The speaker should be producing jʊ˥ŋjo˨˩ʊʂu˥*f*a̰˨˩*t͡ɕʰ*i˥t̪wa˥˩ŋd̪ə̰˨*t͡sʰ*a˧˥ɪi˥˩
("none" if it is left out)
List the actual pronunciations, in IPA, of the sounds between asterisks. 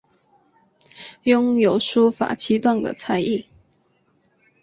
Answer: f, t͡ɕʰ, t͡sʰ

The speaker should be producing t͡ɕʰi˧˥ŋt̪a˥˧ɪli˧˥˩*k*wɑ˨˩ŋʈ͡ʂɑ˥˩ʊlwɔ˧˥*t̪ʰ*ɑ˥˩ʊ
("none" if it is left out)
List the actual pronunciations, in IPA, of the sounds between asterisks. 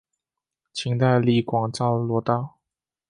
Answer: k, t̪

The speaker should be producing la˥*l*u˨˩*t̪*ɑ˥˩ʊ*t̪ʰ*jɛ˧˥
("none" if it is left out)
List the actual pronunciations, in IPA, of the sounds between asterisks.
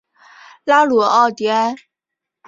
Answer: l, none, t̪

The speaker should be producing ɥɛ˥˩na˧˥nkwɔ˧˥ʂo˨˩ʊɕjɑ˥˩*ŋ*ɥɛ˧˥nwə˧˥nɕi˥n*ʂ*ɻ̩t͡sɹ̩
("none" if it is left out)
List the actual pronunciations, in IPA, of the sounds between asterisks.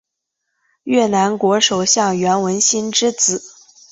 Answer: ŋ, ʈ͡ʂ

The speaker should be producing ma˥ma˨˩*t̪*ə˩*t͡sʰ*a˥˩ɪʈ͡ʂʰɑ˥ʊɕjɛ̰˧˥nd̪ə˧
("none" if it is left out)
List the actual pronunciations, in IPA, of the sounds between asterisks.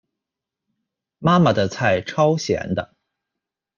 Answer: d̪, t͡sʰ

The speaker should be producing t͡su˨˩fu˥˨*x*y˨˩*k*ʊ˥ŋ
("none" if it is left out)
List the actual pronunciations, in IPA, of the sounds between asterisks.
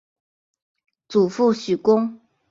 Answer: ɕ, k

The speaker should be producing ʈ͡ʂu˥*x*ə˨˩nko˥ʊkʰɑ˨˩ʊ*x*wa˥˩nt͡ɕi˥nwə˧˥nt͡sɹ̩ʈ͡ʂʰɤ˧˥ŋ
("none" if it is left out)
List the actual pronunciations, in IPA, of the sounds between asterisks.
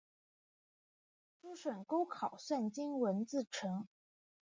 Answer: ʂ, s

